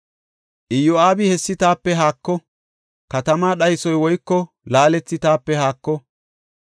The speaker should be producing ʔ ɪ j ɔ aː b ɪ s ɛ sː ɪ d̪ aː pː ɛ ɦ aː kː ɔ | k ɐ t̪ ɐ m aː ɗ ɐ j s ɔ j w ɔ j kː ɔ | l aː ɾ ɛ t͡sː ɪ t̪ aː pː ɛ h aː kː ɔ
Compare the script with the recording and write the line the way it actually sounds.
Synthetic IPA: ʔ ɪ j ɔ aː b ɪ h ɛ sː ɪ t̪ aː pː ɛ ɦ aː kː ɔ | k ɐ t̪ ɐ m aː ɗ ɐ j s ɔ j w ɔ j kː ɔ | l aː l ɛ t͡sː ɪ t̪ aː pː ɛ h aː kː ɔ